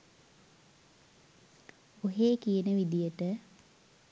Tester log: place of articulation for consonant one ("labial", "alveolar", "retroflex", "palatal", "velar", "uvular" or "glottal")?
glottal